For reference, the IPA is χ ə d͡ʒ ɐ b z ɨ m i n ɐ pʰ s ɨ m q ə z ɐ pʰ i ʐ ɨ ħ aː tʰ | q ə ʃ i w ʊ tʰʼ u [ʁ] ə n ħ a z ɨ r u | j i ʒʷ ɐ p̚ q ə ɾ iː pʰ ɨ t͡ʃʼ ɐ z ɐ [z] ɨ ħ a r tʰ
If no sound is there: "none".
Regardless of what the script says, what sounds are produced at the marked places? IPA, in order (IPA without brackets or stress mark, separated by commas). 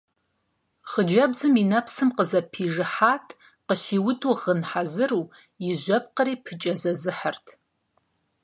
ʁ, z